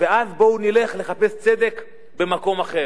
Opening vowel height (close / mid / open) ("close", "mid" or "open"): mid